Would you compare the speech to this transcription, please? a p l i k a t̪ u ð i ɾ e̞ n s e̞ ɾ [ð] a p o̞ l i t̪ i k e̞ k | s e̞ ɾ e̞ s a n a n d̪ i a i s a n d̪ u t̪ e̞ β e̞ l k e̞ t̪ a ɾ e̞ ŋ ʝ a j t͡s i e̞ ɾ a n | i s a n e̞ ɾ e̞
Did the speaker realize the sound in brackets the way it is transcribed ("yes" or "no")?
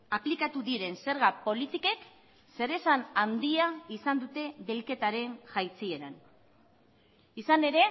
no